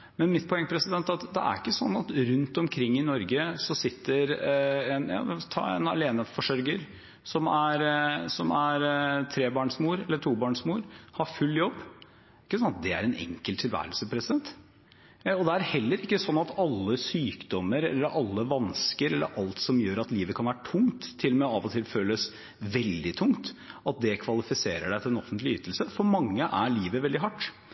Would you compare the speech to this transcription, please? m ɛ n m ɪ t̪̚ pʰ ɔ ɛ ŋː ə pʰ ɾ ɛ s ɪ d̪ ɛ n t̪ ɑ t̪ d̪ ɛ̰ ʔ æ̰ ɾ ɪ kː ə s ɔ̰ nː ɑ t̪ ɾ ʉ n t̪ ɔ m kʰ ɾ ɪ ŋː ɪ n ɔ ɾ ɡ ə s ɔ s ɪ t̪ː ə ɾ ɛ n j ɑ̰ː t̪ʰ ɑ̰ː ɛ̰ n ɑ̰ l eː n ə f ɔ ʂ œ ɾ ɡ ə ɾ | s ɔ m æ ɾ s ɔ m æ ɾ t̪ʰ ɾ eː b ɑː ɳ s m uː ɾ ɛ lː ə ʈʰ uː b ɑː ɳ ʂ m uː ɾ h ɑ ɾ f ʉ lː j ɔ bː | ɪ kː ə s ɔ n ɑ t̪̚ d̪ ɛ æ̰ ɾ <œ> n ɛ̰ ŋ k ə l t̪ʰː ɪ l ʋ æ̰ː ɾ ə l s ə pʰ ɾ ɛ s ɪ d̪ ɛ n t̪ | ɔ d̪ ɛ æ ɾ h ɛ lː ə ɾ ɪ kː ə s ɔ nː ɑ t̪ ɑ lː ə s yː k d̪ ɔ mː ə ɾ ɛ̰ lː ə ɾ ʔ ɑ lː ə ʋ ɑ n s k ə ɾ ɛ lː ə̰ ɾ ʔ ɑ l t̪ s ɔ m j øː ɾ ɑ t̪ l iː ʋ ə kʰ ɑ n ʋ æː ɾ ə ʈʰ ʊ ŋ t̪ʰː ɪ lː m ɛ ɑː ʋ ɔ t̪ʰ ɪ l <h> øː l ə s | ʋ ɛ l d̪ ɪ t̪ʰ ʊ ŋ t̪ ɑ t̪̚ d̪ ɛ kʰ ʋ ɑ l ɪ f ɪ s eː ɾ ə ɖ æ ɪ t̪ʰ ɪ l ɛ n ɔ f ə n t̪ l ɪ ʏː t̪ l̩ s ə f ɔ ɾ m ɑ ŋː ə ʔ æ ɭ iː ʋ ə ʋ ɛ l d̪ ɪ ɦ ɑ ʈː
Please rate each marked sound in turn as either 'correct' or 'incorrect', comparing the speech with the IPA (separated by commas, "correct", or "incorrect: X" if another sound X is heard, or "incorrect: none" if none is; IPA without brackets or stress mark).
incorrect: ɛ, incorrect: f